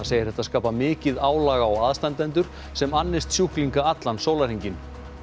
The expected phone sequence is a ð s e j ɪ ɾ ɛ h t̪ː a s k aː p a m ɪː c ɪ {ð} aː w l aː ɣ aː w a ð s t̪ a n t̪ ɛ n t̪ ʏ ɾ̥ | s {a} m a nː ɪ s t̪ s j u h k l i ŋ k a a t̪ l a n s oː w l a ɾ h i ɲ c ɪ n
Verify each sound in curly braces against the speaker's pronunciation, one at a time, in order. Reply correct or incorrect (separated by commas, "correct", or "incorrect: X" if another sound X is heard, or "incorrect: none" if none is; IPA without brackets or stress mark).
correct, incorrect: ɛ